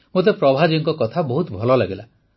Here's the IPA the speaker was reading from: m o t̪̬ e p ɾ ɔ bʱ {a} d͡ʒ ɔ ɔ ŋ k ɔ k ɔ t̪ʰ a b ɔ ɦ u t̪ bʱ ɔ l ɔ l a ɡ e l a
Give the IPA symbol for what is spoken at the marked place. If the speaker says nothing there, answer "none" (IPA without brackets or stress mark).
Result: a